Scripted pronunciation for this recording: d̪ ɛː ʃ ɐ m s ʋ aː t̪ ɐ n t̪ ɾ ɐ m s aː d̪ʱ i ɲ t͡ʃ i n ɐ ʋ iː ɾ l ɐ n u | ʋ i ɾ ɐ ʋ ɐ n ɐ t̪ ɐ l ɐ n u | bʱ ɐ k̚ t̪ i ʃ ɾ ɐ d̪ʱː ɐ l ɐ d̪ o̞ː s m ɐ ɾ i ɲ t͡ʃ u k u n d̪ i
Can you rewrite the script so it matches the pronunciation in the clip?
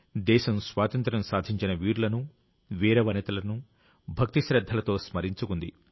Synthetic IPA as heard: d̪ ɛː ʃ ɐ m s ʋ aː t̪ ɐ n t̪ ɾ ɐ m s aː d̪ʱ i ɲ t͡ʃ i n ɐ ʋ iː ɾ l ɐ n u | ʋ iː ɾ ɐ ʋ ɐ n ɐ t̪ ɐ l ɐ n u | bʱ ɐ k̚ t̪ i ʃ ɾ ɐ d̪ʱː ɐ l ɐ t̪ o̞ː s m ɐ ɾ i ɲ t͡ʃ u k u n d̪ i